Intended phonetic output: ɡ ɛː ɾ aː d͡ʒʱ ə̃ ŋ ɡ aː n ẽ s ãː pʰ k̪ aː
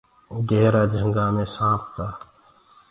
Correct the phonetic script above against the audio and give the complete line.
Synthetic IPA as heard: ɡ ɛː ɾ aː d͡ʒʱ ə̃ ŋ ɡ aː m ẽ s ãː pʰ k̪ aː